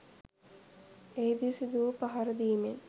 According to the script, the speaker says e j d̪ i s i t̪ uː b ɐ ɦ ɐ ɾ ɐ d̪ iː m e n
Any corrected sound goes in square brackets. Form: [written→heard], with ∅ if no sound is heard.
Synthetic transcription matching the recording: e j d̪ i s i [t̪→d̪] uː [b→p] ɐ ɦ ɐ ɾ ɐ d̪ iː m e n